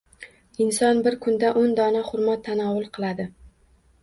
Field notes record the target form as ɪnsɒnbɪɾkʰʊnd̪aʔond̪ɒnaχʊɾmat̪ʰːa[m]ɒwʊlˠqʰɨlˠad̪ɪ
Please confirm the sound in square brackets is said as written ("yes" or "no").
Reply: no